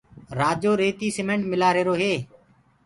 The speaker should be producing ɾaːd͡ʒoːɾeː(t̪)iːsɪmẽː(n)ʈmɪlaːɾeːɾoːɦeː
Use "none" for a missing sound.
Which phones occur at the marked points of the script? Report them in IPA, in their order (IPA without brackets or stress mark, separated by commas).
t̪, ɳ